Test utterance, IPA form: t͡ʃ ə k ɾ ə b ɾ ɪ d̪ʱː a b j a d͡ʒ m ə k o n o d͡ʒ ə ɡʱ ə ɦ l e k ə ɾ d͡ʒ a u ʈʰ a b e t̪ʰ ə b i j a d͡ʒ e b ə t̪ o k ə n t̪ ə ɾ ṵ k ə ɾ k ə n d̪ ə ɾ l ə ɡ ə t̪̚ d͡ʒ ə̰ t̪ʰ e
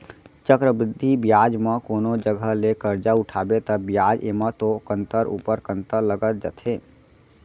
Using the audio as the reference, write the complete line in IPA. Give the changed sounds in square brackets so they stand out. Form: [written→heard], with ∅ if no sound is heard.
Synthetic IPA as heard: t͡ʃ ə k ɾ ə b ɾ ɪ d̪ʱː [a→i] b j a d͡ʒ m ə k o n o d͡ʒ ə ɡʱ ə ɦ l e k ə ɾ d͡ʒ a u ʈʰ a b e [t̪ʰ→t̪] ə b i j a d͡ʒ e [b→m] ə t̪ o k ə n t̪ ə ɾ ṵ [k→p] ə ɾ k ə n [d̪→t̪] ə ɾ l ə ɡ ə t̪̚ d͡ʒ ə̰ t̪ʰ e